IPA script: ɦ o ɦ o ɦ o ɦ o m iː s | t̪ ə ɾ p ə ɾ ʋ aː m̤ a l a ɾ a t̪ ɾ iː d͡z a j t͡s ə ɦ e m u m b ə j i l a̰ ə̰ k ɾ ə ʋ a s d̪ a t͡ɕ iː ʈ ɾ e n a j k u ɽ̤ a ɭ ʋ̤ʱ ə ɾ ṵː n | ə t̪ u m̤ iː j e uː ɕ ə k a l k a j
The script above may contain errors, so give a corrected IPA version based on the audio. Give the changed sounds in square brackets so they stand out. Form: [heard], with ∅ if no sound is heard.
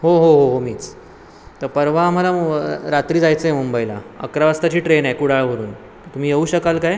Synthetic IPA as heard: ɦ o ɦ o ɦ o ɦ o m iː [t͡s] | t̪ ə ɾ p ə ɾ ʋ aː m̤ a l a ɾ a t̪ ɾ iː d͡z a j t͡s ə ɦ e m u m b ə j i l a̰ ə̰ k ɾ [a] ʋ a s [t̪] a t͡ɕ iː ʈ ɾ e n a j k u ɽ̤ a ɭ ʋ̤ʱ ə ɾ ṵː n | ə t̪ u m̤ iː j e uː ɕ ə k a l k a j